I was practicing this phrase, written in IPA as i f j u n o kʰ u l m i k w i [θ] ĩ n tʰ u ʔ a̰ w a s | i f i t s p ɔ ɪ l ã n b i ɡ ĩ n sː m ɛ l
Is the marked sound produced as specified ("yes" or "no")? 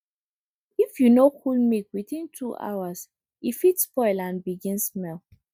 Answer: yes